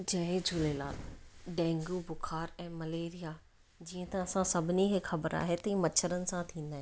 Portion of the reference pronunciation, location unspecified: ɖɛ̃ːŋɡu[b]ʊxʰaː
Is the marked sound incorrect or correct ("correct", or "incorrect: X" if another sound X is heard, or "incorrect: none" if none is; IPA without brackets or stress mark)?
correct